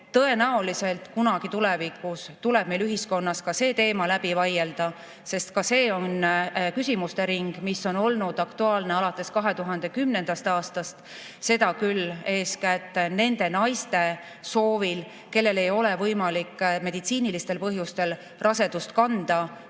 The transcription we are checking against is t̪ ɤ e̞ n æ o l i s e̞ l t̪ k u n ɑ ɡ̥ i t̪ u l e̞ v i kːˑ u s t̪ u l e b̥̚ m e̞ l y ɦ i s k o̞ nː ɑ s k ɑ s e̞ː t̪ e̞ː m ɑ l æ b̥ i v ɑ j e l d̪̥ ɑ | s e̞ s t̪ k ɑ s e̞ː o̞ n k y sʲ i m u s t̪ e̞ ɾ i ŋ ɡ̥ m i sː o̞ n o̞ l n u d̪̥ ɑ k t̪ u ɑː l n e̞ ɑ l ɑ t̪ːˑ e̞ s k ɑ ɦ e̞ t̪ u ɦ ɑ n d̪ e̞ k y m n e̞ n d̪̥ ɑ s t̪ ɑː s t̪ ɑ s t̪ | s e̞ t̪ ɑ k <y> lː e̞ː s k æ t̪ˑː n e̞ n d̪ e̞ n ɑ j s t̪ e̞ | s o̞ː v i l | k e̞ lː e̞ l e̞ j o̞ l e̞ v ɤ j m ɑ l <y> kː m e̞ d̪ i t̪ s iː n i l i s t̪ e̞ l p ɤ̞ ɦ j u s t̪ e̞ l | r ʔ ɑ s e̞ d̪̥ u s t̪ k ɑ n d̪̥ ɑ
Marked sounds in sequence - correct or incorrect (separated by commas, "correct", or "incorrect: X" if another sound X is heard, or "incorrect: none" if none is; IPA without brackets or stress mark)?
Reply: correct, incorrect: i